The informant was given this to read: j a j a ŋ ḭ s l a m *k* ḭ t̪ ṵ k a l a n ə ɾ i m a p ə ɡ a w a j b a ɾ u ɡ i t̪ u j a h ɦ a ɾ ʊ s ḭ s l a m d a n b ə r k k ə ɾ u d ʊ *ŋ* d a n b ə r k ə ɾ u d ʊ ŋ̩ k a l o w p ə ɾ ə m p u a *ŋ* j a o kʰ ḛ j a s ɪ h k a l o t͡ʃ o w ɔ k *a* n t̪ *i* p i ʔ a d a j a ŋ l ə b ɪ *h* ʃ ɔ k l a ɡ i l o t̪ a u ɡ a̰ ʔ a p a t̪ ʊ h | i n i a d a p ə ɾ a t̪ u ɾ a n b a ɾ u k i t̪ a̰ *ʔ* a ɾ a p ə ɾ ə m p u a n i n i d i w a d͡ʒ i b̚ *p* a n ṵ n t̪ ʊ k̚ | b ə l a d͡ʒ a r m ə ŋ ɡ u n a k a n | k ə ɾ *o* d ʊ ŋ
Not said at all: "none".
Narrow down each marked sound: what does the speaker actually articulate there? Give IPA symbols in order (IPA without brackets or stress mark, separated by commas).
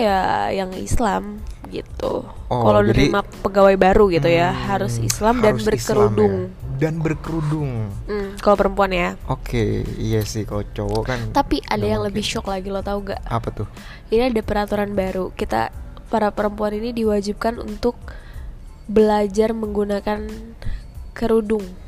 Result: ɡ, ŋ, n, a, a, h, p, k, u